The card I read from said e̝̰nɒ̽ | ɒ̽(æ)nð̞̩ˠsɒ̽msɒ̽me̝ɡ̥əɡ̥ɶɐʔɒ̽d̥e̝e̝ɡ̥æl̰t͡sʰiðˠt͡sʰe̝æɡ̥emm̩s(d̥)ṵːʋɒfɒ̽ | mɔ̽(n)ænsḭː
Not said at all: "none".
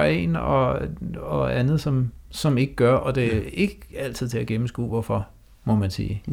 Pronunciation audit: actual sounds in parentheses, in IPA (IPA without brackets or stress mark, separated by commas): æ, ɡ̥, m